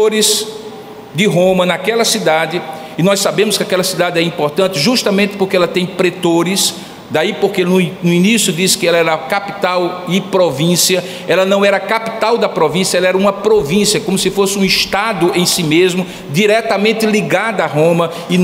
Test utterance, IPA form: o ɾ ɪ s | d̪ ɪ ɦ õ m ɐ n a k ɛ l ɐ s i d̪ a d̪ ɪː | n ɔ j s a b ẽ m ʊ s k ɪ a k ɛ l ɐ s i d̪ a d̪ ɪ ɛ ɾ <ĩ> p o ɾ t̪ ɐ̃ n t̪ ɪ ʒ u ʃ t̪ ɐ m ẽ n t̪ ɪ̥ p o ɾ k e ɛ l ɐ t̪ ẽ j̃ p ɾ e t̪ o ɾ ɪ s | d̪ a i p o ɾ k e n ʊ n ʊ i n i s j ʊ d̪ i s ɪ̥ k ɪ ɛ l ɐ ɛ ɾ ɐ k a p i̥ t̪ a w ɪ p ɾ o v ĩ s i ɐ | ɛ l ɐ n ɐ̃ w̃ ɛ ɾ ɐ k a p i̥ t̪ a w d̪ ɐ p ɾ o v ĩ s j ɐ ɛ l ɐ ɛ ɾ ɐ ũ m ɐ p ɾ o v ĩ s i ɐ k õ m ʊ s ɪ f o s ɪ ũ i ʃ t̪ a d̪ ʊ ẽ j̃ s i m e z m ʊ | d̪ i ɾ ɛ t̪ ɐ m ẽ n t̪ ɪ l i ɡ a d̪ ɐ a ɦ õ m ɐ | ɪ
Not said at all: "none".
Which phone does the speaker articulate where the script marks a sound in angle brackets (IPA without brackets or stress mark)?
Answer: ĩ